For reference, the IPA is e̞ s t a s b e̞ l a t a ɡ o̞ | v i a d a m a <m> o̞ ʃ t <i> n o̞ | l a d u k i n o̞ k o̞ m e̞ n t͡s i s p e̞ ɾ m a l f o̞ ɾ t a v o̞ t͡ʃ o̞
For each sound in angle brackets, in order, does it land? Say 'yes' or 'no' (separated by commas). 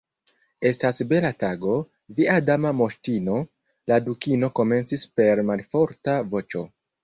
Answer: yes, yes